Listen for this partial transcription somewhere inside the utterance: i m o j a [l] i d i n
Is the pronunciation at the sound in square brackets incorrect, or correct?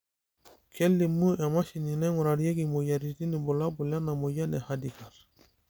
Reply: incorrect